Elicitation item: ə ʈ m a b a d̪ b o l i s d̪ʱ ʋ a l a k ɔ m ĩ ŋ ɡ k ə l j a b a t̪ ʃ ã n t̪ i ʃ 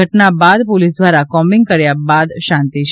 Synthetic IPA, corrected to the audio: ə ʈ n a b a d̪ p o l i s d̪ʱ ʋ a ɾ a k ɔ m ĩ ŋ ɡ k ə ɾ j a b a d̪ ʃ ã n t̪ i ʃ